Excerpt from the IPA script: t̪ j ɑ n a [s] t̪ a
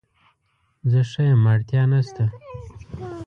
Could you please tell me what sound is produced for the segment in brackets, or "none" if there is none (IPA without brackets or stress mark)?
s